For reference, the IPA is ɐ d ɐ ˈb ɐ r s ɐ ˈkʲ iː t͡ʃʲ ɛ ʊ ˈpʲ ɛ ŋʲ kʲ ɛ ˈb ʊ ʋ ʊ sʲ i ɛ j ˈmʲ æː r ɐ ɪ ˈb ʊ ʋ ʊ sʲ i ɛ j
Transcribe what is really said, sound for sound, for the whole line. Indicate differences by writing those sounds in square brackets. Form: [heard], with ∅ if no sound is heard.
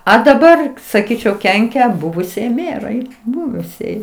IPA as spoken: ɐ d ɐ ˈb ɐ r s ɐ ˈkʲ iː t͡ʃʲ ɛ ʊ [ˈkʲ] ɛ ŋʲ kʲ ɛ ˈb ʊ ʋ ʊ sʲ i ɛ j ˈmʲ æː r ɐ ɪ ˈb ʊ ʋ ʊ sʲ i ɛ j